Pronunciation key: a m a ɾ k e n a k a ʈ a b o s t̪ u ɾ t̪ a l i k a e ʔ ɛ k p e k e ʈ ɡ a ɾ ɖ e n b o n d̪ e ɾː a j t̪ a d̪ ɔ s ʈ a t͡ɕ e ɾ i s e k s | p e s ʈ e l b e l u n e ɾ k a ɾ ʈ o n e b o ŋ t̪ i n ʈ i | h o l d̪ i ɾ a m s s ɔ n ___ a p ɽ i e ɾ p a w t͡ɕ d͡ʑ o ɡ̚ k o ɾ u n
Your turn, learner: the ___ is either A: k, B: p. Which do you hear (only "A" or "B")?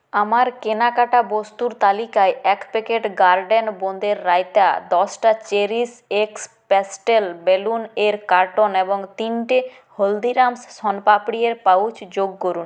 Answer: B